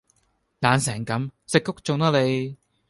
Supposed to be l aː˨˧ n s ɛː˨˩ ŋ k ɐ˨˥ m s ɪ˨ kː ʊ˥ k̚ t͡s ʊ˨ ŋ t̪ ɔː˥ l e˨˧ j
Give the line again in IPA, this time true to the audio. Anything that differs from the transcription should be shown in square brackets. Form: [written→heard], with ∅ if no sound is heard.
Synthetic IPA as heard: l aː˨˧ n s ɛː˨˩ ŋ k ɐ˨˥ m s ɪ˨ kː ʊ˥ k̚ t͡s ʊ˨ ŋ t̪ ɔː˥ l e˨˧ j